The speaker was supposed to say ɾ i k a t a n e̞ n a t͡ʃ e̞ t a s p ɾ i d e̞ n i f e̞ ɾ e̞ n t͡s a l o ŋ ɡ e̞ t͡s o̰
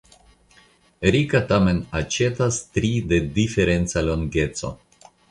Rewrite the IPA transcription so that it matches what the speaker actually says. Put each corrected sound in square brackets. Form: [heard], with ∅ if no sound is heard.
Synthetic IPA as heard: ɾ i k a t a [m] e̞ n a t͡ʃ e̞ t a s [t] ɾ i d e̞ [d] i f e̞ ɾ e̞ n t͡s a l o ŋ ɡ e̞ t͡s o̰